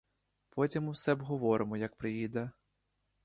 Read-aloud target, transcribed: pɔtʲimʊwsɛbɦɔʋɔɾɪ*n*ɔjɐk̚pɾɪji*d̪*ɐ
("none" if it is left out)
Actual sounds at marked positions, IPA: m, d̪

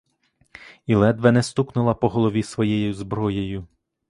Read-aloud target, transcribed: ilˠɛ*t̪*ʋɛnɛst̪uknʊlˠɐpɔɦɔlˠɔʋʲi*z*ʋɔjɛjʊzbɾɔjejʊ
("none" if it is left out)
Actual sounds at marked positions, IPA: d̪, s

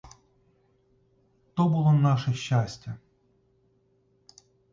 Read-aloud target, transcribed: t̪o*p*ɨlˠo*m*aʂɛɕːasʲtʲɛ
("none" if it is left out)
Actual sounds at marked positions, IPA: b, n

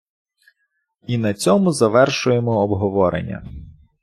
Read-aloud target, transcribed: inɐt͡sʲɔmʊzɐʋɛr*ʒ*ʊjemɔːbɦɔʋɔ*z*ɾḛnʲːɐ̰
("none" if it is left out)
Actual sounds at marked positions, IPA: ʃ, none

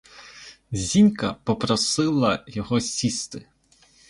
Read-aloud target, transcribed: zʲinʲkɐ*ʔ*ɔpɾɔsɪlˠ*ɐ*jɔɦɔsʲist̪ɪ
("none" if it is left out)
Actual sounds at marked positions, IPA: p, ɐ

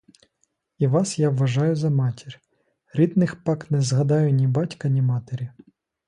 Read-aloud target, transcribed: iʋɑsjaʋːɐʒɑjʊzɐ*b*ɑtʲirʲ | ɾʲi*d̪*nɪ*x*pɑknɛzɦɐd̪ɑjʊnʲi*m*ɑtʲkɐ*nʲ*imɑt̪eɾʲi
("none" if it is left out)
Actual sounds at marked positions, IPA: m, d̪, x, b, nʲ

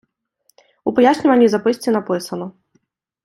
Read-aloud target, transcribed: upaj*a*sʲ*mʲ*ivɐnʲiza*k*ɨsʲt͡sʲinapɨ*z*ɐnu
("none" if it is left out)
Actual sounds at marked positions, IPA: a, nʲ, p, s

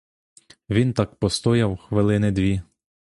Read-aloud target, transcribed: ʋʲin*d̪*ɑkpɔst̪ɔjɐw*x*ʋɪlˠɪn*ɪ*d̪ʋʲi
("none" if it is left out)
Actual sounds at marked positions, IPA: t̪, x, ɪ

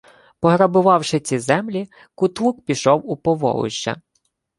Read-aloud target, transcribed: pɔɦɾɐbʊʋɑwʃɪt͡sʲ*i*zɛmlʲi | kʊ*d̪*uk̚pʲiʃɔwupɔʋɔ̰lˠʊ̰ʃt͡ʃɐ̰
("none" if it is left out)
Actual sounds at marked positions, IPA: i, t̪

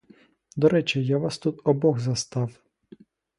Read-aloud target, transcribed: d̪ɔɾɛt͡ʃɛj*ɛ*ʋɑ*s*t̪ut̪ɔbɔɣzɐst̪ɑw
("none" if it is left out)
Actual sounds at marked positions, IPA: a, s

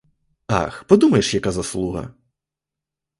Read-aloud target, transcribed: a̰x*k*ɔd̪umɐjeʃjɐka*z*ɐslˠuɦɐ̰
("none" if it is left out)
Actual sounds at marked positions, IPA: p, z

